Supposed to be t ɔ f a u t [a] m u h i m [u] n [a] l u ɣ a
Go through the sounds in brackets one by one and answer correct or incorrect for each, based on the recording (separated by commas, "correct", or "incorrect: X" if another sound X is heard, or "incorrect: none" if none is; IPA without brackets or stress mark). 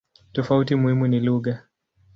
incorrect: i, correct, incorrect: i